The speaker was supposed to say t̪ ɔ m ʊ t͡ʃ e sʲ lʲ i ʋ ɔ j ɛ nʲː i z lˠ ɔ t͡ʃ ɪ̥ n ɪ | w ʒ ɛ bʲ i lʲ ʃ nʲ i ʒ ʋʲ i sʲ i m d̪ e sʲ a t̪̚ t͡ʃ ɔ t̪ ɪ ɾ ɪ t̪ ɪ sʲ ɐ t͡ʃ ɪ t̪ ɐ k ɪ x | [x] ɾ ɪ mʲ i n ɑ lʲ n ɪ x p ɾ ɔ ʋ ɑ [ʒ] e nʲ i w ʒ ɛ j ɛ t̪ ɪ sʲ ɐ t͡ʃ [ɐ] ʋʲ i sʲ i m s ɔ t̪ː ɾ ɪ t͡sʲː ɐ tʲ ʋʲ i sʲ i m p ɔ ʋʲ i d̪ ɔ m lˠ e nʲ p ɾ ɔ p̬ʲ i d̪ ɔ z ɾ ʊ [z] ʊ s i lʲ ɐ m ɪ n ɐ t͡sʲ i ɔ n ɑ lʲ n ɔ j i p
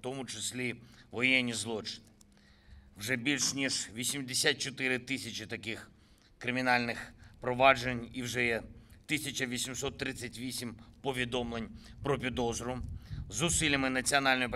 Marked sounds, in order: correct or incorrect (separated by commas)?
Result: incorrect, incorrect, correct, correct